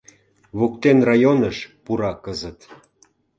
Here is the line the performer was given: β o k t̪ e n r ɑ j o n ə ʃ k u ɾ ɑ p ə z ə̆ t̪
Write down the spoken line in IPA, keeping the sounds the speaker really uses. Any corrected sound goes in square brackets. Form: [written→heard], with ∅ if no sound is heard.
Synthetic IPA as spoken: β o k t̪ e n r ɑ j o n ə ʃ [k→p] u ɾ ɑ [p→k] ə z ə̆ t̪